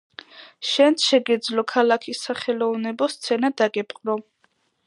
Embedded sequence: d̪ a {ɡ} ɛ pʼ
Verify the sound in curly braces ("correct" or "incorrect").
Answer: correct